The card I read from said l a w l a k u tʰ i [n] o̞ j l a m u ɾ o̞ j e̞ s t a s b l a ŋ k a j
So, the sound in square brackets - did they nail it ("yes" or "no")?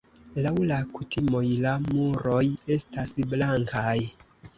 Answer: no